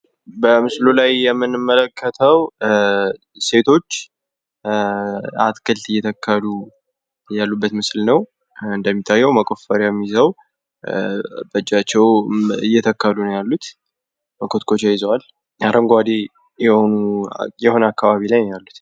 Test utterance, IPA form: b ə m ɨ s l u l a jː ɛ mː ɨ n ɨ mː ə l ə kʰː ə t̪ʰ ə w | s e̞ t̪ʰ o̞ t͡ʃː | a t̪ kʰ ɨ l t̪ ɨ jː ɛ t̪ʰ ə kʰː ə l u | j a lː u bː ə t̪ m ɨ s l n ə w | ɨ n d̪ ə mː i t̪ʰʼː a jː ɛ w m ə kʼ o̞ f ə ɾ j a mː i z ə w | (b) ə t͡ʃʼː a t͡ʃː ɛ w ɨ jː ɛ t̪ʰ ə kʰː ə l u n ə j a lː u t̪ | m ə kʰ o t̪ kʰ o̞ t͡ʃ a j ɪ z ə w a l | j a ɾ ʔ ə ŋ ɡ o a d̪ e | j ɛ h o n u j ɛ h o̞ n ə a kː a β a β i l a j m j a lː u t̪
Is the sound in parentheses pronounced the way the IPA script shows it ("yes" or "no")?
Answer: yes